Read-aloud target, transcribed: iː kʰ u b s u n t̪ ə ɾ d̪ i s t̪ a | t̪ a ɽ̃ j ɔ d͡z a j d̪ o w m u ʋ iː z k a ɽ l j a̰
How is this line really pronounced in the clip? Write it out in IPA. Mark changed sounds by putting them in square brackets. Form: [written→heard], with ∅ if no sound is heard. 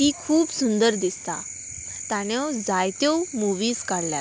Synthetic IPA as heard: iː kʰ [u→uː] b s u n [t̪→d̪] ə ɾ d̪ i s t̪ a | t̪ a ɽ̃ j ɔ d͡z a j [d̪→t̪] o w m u ʋ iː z k a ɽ l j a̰